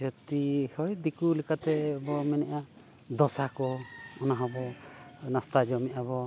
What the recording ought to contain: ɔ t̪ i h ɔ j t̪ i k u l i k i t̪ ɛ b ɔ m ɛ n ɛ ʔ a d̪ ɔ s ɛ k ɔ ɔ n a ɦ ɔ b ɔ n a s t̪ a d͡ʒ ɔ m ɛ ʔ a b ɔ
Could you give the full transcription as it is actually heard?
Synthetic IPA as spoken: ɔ t̪ i h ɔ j d̪ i k u l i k a t̪ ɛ b ɔ m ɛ n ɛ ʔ a d̪ ɔ s a k ɔ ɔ n a ɦ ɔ b ɔ n a s t̪ a d͡ʒ ɔ m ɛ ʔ a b ɔ